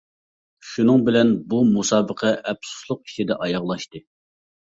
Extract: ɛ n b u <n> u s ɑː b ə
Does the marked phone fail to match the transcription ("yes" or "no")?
yes